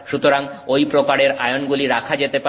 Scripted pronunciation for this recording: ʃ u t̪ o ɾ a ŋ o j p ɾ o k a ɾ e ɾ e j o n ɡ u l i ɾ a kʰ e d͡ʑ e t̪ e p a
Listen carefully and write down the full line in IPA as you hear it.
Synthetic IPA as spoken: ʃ u t̪ o ɾ a ŋ o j p ɾ o k a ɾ e ɾ a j o n ɡ u l i ɾ a kʰ a d͡ʑ e t̪ e p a